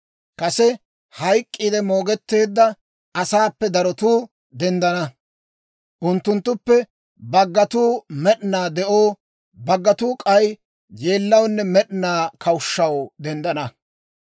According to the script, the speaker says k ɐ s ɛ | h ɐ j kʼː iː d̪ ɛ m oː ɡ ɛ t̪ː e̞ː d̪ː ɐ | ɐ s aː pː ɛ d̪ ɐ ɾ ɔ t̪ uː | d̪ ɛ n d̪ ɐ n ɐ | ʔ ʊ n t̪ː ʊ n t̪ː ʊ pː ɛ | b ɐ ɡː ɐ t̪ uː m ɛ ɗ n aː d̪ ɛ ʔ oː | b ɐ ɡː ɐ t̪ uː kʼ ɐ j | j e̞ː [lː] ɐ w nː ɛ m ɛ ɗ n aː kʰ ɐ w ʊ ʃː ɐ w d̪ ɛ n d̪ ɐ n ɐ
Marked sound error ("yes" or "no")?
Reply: no